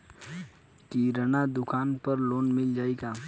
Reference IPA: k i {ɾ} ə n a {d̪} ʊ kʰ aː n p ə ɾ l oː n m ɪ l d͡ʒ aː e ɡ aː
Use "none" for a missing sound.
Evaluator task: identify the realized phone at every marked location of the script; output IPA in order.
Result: ɾ, d̪

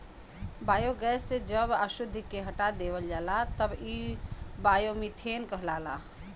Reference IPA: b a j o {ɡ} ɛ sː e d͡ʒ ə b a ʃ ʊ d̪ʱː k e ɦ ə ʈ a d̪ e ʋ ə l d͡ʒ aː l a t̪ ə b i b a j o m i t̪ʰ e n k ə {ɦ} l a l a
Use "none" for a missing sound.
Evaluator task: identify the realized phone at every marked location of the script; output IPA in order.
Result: ɡ, ɦ

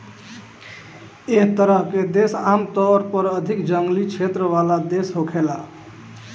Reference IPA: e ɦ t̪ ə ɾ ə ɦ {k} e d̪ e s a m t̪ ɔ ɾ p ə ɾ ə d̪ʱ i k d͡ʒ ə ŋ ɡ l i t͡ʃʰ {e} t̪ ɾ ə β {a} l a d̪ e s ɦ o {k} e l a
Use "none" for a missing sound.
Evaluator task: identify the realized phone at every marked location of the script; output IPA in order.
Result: k, e, a, kʰ

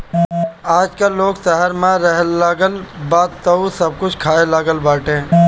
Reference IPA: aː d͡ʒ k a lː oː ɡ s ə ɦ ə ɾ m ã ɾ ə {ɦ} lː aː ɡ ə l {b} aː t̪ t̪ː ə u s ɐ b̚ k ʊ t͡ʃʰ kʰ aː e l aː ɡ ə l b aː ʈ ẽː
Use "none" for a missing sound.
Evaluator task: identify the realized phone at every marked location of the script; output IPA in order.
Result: ɦ, b

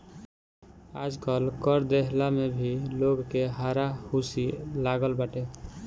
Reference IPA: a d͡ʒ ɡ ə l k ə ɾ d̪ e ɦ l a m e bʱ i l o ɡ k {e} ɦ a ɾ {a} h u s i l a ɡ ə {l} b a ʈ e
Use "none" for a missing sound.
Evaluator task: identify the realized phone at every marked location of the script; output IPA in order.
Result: e, a, l

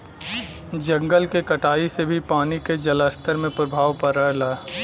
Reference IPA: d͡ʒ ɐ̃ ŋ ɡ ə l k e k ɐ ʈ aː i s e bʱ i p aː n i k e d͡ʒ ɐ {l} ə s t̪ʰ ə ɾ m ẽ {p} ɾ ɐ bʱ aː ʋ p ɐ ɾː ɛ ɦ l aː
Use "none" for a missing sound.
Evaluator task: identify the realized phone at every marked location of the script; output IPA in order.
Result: l, p

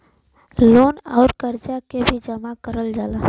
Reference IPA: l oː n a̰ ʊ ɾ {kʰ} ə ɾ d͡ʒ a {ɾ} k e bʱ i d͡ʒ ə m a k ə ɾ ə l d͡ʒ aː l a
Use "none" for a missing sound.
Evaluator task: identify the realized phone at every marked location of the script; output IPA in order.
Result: k, none

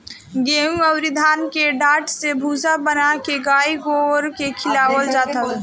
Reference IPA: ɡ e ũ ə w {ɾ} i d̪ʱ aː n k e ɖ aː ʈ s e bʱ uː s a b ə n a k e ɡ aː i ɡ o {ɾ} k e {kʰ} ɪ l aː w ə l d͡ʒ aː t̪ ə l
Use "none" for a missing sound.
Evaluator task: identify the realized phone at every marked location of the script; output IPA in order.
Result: ɾ, ɾ, kʰ

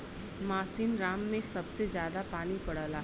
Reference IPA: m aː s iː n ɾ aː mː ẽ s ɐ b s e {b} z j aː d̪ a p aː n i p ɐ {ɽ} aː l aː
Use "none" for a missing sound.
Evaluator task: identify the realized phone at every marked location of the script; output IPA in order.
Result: none, ɽ

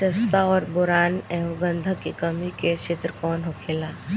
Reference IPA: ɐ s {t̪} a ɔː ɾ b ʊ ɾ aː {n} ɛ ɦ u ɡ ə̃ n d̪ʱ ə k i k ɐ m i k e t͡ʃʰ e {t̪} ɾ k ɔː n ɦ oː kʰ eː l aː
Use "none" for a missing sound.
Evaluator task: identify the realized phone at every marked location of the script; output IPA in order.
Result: t̪, n, t̪

